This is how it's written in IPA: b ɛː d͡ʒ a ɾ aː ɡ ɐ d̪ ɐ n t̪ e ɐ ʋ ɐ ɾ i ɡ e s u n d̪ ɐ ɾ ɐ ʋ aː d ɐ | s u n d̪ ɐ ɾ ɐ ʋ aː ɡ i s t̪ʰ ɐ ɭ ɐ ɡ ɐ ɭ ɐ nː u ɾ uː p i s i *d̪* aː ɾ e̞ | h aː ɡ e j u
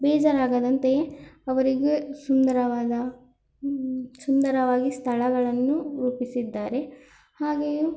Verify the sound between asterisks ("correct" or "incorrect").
incorrect